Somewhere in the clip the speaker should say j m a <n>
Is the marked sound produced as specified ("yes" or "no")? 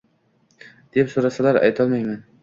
yes